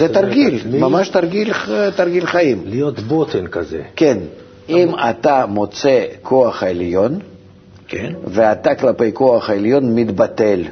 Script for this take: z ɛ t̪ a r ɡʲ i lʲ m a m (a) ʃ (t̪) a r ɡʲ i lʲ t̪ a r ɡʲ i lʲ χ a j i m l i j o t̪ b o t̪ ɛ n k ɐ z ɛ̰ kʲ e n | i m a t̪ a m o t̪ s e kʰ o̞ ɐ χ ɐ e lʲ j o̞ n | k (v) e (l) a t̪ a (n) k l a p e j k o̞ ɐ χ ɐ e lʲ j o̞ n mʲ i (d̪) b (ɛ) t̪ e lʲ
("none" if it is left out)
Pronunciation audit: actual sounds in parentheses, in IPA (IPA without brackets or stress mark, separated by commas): a, t̪, v, none, none, d̪, a